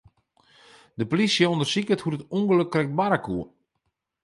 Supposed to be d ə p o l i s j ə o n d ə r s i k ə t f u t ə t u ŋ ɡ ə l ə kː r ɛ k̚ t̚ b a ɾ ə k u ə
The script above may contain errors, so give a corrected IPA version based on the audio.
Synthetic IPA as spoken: d ə p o l i s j ə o n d ə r s i k ə t h u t ə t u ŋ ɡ ə l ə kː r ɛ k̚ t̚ b a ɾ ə k u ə